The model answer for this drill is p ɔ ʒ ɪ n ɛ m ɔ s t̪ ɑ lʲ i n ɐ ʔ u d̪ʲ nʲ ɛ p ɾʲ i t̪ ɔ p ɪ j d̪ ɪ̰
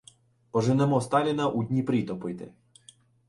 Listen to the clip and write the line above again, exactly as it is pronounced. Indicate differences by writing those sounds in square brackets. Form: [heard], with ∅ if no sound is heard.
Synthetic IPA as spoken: p ɔ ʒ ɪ n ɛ m ɔ s t̪ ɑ lʲ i n ɐ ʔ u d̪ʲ nʲ [i] p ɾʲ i t̪ ɔ p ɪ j [t̪] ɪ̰